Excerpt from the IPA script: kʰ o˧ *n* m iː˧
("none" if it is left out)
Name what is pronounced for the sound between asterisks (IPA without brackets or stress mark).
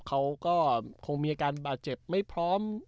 ŋ